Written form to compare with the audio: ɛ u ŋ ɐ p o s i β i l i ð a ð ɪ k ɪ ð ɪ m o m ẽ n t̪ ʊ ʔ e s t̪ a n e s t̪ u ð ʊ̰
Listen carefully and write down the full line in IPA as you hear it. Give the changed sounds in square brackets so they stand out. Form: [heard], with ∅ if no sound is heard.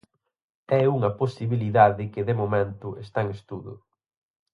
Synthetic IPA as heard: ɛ u ŋ ɐ p o s i β i l i ð a ð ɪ k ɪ ð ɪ m o m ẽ n t̪ ʊ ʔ e s t̪ a [ŋ] e s t̪ u ð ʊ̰